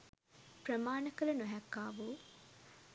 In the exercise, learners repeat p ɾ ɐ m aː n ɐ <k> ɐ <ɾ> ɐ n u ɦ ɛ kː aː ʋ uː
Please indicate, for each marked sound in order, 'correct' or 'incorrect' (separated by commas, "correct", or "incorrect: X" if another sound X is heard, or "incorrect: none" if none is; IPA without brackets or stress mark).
correct, incorrect: l